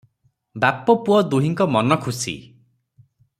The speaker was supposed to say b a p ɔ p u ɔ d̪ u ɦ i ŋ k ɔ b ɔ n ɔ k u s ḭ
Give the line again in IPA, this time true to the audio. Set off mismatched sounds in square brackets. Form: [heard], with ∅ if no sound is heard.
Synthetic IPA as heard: b a p ɔ p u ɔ d̪ u ɦ i ŋ k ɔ [m] ɔ n ɔ [kʰ] u s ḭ